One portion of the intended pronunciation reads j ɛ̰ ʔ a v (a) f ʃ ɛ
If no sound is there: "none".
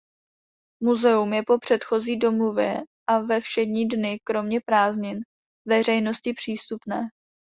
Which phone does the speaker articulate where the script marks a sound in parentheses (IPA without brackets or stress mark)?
ɛ